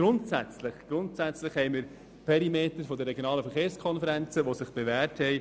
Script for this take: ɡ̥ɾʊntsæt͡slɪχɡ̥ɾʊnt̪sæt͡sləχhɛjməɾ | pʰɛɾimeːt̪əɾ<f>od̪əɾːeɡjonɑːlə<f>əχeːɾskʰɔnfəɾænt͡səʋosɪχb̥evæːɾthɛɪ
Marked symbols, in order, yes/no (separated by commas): yes, yes